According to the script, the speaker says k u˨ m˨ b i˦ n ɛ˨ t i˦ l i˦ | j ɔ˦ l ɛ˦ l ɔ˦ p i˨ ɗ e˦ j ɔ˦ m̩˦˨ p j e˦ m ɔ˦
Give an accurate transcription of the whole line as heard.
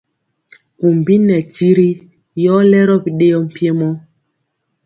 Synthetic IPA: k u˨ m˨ b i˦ n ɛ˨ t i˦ ɾ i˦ | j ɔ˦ l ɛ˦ ɾ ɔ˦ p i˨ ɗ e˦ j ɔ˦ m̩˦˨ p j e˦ m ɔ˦